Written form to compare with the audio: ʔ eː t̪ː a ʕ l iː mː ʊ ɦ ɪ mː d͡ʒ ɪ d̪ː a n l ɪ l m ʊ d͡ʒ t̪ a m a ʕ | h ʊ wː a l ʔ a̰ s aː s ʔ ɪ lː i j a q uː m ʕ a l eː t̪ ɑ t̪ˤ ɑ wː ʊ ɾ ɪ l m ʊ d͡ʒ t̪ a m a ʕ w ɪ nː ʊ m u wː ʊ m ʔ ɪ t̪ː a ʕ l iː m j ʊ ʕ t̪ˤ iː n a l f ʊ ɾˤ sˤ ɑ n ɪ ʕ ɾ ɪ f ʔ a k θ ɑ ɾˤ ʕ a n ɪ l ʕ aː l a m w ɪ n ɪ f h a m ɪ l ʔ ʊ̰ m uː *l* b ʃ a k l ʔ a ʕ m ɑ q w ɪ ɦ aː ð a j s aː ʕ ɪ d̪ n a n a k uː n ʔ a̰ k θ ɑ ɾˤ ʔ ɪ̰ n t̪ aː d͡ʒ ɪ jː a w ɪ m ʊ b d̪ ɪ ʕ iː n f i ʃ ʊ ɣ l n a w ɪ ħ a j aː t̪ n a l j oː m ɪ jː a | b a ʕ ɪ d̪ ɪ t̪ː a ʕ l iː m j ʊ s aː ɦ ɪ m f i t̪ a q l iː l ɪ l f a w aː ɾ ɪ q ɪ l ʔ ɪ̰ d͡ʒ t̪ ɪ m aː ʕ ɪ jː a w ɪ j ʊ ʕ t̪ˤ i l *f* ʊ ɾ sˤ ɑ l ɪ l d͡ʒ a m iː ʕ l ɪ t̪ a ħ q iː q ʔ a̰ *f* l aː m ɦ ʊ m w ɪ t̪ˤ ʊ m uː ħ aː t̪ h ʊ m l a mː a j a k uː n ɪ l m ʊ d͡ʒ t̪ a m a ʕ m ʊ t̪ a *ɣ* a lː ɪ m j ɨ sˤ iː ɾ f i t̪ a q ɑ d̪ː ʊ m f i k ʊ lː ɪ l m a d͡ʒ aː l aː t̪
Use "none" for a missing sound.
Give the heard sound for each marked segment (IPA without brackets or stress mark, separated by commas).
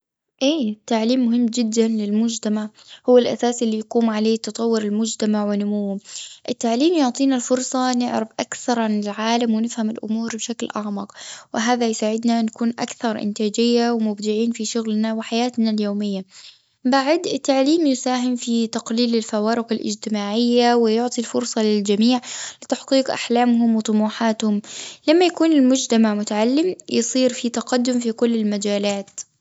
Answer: ɾ, f, ħ, ʕ